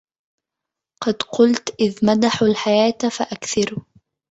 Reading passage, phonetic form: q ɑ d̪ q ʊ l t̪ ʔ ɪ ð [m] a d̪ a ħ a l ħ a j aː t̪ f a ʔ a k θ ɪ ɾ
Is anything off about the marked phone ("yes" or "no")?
no